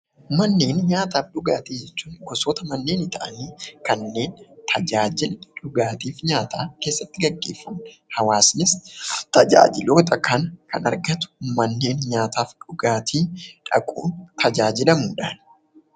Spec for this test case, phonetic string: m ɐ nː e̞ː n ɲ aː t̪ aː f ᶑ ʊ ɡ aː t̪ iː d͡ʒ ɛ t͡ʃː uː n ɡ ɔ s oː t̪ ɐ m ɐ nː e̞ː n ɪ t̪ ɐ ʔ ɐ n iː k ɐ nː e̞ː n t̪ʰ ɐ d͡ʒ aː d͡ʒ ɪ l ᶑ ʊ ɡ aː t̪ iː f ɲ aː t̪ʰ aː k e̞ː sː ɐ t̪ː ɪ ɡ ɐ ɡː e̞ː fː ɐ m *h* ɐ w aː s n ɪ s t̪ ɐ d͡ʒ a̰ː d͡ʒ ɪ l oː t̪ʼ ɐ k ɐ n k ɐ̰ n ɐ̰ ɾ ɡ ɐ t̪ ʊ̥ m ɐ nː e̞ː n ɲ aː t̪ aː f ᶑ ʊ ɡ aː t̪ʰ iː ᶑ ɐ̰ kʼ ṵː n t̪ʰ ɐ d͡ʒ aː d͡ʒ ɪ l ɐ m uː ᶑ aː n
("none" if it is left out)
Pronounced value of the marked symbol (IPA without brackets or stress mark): h